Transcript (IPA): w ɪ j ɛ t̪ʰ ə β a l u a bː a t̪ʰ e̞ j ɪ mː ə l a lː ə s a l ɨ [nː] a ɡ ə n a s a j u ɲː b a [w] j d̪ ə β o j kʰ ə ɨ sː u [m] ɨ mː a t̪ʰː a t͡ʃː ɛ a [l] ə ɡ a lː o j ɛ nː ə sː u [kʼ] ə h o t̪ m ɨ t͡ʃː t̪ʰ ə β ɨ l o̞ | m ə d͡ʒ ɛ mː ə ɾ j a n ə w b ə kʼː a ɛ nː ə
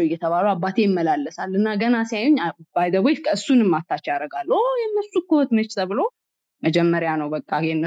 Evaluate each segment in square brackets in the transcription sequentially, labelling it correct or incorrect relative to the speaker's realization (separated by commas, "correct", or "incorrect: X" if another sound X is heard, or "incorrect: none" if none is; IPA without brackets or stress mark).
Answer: correct, incorrect: none, incorrect: n, incorrect: ɾ, incorrect: k